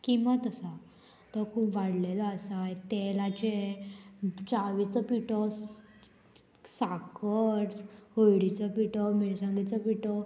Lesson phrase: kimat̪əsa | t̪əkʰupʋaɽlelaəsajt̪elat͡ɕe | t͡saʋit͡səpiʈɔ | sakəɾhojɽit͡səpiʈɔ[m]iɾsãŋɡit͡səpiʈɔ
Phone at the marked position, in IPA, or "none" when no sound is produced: m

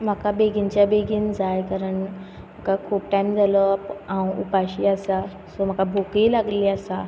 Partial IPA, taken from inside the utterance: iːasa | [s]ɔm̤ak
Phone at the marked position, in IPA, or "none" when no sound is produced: s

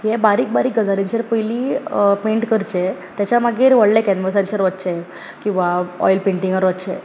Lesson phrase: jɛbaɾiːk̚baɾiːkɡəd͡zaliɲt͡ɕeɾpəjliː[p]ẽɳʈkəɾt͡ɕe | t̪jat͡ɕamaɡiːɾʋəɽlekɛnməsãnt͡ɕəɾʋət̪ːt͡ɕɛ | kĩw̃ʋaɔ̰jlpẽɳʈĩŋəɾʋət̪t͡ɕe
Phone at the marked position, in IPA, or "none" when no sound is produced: p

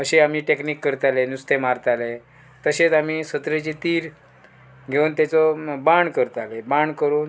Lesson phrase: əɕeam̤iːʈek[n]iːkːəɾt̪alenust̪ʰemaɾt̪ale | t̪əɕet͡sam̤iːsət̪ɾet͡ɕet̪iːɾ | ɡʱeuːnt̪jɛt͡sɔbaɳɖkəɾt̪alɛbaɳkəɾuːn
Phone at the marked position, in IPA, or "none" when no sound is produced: n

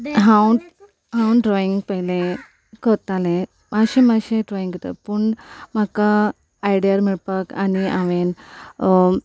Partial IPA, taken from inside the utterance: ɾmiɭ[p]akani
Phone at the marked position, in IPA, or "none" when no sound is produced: p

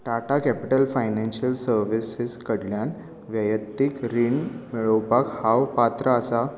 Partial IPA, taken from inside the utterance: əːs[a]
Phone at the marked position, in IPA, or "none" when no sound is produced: a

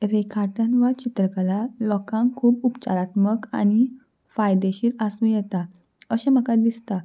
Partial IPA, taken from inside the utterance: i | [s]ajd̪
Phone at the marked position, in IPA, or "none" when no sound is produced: f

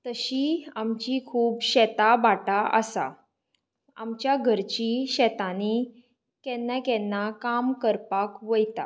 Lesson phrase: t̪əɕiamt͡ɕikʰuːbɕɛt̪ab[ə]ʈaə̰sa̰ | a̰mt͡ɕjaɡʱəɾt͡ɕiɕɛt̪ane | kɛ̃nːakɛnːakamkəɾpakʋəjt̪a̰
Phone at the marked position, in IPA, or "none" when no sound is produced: a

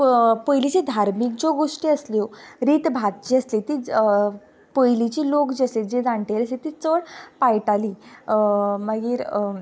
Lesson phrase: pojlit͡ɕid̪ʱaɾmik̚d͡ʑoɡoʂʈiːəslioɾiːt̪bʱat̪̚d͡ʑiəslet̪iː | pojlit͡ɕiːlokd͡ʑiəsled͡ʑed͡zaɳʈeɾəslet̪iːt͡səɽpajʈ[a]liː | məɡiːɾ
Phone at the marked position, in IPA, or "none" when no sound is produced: a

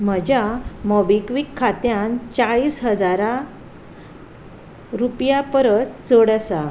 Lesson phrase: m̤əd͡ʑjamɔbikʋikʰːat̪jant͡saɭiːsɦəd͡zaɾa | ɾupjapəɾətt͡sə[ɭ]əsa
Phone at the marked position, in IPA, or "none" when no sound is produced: ɽ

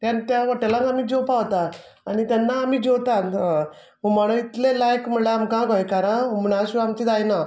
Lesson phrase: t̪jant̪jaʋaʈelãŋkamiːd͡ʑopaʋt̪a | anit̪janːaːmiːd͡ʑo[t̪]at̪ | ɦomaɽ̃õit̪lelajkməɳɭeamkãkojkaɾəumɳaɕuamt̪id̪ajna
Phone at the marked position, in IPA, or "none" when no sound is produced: t̪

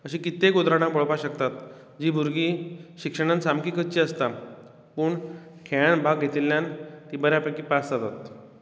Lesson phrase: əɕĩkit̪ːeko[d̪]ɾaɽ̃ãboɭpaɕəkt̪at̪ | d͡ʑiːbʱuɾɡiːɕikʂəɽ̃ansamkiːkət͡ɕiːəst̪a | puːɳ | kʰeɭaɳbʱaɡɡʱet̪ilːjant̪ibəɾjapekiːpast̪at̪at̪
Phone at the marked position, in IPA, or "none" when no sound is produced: d̪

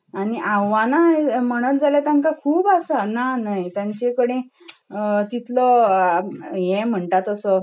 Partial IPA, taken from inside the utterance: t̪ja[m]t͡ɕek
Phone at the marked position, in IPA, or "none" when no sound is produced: ɲ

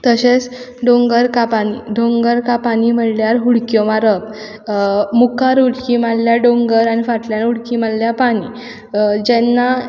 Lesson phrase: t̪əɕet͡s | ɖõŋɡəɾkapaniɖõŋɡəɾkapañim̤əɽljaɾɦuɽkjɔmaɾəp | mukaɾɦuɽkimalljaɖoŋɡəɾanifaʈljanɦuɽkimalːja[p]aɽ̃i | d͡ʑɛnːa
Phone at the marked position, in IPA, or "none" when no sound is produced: p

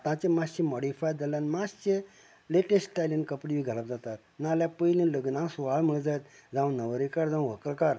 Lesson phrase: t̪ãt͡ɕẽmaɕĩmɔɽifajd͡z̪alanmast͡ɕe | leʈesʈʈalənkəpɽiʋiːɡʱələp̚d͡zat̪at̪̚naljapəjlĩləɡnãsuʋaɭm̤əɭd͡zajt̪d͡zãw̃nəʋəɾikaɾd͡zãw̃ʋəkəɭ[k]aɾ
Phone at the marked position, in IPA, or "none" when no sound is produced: k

